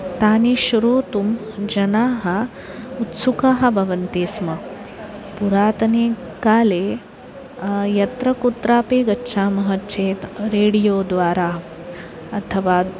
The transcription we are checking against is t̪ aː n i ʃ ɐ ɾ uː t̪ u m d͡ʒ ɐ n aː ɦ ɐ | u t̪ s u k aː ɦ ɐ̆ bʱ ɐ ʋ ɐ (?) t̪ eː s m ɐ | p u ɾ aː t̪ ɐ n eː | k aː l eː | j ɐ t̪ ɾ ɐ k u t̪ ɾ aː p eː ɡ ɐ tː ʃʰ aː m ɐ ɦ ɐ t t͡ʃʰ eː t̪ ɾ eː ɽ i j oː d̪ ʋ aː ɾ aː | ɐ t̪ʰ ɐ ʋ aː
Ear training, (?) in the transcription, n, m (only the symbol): n